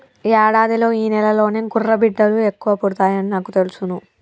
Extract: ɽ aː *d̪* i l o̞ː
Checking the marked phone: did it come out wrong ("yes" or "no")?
no